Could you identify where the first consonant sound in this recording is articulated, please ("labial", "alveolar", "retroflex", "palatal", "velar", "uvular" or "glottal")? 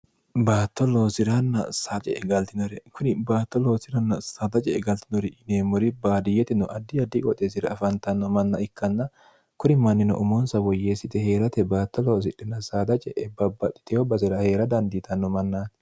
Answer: labial